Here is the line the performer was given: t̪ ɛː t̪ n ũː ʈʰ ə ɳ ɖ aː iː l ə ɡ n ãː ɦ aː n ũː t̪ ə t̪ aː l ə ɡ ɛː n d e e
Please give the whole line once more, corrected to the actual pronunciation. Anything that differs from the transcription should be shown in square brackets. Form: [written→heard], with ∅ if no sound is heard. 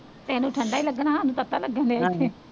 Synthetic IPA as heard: t̪ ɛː [t̪→∅] n ũː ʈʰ ə ɳ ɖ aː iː l ə ɡ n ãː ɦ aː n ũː t̪ ə t̪ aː l ə ɡ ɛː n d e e